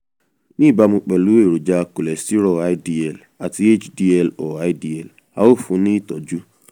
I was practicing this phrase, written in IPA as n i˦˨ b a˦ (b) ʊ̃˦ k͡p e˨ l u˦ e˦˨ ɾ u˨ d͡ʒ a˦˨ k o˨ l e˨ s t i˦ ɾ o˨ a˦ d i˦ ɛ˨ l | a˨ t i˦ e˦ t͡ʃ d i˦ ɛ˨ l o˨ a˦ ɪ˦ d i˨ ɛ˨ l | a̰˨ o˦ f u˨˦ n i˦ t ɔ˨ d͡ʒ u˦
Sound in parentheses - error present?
yes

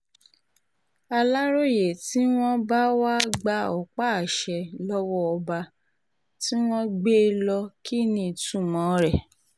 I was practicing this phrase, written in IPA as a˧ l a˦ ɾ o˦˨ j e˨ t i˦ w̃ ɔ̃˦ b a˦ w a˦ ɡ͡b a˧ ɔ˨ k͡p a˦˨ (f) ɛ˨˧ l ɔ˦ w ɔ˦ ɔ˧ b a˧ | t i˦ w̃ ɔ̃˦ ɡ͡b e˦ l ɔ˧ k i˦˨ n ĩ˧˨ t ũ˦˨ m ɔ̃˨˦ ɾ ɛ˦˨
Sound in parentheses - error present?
yes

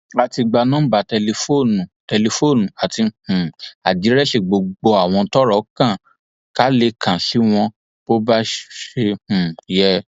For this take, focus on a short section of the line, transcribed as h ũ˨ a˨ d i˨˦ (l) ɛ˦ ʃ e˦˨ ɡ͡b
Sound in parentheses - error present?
yes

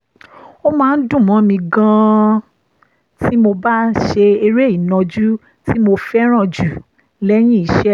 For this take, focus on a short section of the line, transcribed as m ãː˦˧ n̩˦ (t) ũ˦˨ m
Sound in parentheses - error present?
yes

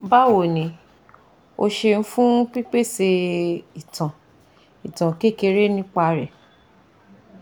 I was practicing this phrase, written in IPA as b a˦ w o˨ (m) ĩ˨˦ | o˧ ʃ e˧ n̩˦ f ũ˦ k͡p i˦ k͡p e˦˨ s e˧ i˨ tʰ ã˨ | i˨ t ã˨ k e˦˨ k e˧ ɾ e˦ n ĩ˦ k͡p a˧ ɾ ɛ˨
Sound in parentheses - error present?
yes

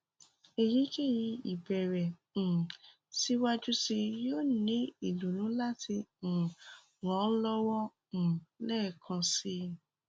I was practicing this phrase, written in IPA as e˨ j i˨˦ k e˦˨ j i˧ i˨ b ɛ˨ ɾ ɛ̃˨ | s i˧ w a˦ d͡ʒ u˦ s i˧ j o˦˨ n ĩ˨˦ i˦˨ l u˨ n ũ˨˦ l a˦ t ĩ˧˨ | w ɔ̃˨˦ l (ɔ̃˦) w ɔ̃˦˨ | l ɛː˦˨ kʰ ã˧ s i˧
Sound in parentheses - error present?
yes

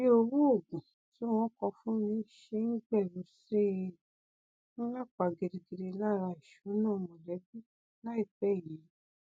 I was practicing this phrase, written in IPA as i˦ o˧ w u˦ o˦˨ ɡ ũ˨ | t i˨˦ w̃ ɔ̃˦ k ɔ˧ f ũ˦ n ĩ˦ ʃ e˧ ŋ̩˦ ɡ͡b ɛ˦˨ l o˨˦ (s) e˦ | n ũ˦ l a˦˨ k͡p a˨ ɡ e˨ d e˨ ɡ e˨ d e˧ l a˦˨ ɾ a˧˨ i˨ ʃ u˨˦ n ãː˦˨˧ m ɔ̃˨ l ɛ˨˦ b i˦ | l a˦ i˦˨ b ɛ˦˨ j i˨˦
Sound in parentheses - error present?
no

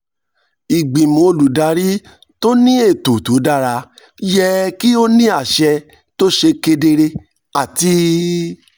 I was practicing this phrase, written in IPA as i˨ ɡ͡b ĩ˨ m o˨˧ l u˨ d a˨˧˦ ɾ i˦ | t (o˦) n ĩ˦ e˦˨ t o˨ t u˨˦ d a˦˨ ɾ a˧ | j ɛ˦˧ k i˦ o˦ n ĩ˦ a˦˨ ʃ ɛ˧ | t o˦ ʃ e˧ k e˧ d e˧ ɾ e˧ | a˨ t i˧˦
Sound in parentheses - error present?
no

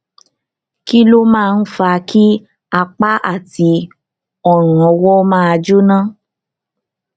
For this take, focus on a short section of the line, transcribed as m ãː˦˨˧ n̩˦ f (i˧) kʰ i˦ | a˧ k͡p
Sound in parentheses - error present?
yes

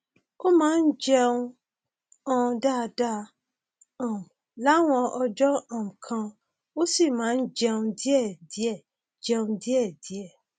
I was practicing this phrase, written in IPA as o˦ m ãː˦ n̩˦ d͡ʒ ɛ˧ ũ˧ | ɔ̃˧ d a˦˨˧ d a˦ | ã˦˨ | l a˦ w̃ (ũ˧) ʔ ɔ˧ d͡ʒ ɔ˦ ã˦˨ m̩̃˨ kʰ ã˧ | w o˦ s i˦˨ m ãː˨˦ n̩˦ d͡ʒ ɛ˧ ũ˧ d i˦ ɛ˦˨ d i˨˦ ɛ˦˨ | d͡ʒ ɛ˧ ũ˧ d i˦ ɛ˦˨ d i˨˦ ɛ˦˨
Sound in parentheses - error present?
yes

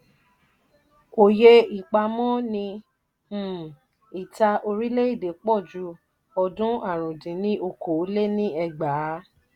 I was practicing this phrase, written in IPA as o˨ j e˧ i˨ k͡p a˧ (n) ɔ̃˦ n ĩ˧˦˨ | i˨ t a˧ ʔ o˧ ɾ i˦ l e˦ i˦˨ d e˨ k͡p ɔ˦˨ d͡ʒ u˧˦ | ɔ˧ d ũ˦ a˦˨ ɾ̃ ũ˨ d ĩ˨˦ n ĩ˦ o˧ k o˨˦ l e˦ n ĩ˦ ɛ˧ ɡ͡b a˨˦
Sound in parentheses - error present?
yes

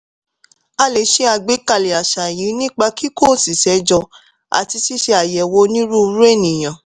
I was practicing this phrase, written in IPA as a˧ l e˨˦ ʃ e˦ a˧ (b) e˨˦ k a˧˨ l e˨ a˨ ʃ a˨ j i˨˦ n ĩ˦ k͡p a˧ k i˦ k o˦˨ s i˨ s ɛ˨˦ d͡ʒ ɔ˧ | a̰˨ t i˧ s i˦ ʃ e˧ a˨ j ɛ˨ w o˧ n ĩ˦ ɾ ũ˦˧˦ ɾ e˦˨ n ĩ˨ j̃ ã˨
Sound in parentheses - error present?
yes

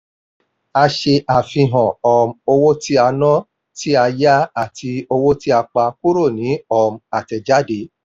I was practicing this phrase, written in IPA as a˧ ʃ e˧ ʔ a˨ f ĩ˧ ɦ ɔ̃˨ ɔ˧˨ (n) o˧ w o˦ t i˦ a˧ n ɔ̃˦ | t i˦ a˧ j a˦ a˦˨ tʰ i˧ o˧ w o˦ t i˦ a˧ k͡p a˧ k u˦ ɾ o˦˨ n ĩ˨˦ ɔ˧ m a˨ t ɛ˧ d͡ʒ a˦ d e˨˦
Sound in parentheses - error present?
yes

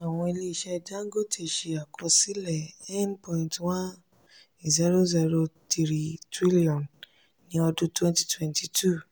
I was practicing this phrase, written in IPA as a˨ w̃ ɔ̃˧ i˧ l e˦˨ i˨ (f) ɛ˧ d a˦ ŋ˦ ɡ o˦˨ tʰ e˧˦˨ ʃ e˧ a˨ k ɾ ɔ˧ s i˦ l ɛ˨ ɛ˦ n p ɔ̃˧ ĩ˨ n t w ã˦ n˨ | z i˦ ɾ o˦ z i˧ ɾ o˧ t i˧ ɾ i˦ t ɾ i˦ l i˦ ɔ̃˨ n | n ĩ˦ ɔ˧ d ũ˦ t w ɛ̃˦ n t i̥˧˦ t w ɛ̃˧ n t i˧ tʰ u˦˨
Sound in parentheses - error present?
yes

